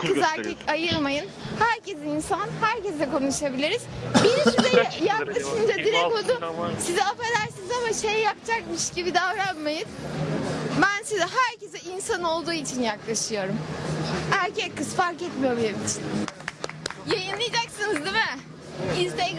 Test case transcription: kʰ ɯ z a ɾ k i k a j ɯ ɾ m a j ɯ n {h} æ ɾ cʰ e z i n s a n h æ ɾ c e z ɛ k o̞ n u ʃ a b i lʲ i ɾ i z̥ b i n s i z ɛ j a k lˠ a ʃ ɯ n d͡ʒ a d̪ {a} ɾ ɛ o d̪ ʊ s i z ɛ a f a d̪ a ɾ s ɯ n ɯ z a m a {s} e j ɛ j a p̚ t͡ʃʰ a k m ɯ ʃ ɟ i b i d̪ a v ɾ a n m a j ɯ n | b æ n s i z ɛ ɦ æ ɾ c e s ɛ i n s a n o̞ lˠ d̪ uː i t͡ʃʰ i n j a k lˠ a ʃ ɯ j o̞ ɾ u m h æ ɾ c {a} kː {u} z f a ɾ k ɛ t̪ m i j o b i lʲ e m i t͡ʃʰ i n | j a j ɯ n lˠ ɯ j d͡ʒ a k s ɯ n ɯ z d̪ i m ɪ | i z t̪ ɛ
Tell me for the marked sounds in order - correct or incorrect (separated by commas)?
correct, incorrect, incorrect, incorrect, incorrect